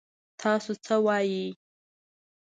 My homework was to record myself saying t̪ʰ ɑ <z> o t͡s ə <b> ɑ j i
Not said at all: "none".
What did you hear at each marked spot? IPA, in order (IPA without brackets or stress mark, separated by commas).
s, w